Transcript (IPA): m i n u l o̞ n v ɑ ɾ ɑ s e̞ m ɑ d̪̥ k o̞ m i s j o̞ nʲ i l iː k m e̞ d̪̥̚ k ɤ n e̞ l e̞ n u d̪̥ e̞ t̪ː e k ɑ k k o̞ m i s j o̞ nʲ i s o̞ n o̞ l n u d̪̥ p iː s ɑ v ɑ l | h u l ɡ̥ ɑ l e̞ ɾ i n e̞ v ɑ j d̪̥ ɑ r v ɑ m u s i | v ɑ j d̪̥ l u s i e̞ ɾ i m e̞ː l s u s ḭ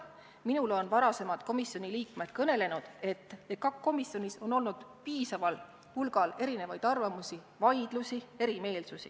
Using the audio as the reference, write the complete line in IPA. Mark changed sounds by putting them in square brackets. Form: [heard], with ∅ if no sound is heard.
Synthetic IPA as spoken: m i n u l o̞ n v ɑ ɾ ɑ s e̞ m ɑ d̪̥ k o̞ m i s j o̞ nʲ i l iː k m e̞ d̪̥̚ k ɤ n e̞ l e̞ n u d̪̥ e̞ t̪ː e k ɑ k k o̞ m i s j o̞ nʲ i s o̞ n o̞ l n u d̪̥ p iː s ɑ v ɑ l | h u l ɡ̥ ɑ l e̞ ɾ i n e̞ v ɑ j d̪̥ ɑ r v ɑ m u s i | v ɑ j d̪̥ l u s i e̞ ɾ i m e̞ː l s u s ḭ